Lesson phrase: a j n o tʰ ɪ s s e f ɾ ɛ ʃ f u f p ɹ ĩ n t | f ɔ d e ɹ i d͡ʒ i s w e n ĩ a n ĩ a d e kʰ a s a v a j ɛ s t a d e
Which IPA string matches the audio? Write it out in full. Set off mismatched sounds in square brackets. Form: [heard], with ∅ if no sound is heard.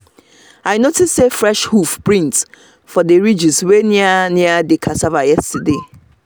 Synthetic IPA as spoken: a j n o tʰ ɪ s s e f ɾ ɛ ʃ [h] u f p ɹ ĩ n t | f ɔ d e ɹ i d͡ʒ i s w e n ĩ a n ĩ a d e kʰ a s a v a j ɛ s t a d e

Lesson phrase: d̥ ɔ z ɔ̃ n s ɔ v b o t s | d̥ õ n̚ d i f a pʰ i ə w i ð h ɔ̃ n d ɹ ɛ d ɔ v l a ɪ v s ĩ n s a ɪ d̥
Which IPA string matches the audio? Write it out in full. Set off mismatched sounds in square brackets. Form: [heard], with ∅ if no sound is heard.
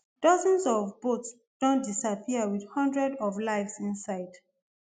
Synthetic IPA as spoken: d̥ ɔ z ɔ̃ n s ɔ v b o t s | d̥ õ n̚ d i [s] a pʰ i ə w i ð h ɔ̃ n d ɹ ɛ d ɔ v l a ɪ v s ĩ n s a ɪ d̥

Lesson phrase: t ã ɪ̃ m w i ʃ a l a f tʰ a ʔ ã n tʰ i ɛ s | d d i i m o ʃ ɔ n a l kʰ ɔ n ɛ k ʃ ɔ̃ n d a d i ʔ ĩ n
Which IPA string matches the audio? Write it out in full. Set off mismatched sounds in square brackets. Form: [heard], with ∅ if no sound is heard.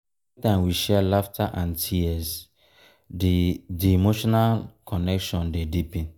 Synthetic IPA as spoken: t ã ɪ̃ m w i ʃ [ɛ] l a f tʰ a ʔ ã n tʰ i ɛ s | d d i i m o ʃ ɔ n a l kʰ ɔ n ɛ k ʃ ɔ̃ n d [e] d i [p] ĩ n

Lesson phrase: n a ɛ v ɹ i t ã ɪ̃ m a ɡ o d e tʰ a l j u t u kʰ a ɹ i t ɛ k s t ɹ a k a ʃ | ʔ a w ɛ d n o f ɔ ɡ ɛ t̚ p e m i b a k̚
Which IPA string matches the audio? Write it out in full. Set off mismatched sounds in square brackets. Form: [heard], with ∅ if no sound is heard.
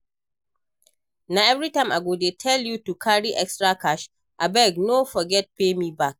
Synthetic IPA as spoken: n a ɛ v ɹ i t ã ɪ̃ m a ɡ o d e tʰ [ɛ] l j u t u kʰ a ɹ i [ʔ] ɛ k s t ɹ a k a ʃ | ʔ a [b] ɛ [ɡ] n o f ɔ ɡ ɛ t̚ p e m i b a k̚

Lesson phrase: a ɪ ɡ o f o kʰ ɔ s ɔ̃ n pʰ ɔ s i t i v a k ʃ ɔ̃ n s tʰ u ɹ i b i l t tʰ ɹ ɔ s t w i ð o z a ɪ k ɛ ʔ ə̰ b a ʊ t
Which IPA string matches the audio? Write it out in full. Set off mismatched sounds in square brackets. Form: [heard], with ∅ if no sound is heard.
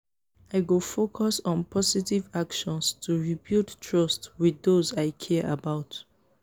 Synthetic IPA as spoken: a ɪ ɡ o f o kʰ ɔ s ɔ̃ n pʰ ɔ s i t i v a k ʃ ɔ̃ n s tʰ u ɹ i b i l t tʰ ɹ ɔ s t w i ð o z a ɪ [kʰ] ɛ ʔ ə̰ b a ʊ t

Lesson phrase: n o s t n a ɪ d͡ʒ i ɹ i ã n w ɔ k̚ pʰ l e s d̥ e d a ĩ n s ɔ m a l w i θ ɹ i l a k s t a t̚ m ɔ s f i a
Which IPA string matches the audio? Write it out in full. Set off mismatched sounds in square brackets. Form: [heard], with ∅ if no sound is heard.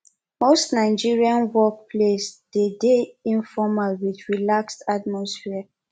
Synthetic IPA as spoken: [m] o s t n a ɪ d͡ʒ i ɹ i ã n w ɔ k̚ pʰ l e s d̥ e d [e] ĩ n [f] ɔ m a l w i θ ɹ i l a k s t a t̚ m ɔ s f i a

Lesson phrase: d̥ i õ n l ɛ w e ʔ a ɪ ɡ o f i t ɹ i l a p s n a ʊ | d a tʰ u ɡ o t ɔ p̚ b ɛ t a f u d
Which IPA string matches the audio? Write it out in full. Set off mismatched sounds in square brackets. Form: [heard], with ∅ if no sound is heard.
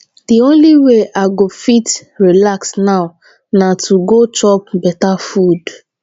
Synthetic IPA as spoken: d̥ i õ n l [i] w e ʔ a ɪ ɡ o f i t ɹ i l a [k] s n a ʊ | [n] a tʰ u ɡ o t ɔ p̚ b ɛ t a f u d

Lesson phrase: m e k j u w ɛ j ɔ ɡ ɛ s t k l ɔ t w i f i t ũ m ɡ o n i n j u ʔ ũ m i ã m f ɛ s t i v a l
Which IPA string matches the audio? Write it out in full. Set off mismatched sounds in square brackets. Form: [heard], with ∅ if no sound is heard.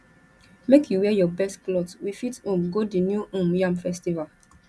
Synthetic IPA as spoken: m e k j u w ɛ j ɔ [b] ɛ s t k l ɔ t w i f i t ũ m ɡ o [d] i n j u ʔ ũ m [j] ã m f ɛ s t i v a l

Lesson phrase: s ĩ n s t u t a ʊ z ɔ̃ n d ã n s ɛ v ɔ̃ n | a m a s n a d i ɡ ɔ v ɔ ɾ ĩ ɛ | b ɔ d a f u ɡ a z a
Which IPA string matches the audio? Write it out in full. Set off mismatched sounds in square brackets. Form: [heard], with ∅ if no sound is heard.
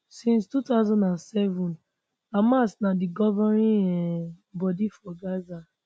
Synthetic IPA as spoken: s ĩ n s t u t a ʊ z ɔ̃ n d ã n s ɛ v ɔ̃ n | a m a s n a d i ɡ ɔ v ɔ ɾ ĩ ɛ | b ɔ d [i] f [ɔ] ɡ a z a

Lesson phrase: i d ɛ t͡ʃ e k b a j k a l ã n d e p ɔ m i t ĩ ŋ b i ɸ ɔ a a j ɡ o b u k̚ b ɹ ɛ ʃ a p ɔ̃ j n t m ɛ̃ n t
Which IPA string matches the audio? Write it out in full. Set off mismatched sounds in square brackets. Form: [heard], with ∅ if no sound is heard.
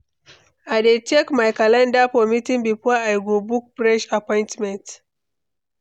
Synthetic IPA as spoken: [a] d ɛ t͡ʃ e k [m] a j k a l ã n d [a] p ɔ m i t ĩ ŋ b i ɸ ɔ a a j ɡ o b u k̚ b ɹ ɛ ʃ a p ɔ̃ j n t m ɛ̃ n t

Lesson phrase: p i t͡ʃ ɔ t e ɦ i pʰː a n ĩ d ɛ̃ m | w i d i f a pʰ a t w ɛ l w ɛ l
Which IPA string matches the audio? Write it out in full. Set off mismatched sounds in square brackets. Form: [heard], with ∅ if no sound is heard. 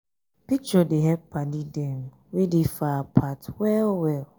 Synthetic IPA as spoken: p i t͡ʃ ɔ [d] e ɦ [ɛ] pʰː a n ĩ d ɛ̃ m | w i d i f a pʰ a t w ɛ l w ɛ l

